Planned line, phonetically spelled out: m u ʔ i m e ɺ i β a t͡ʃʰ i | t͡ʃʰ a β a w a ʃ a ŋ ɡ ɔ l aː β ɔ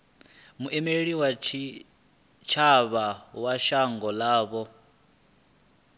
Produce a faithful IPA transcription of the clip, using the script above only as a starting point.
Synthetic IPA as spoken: m u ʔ ɛ m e ɺ i w a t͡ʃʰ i | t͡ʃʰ a β a w a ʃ a ŋ ɡ ɔ l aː β ɔ